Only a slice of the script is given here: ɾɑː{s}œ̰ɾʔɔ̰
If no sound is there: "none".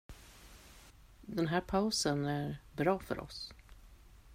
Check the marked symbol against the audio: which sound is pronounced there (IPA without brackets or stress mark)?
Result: f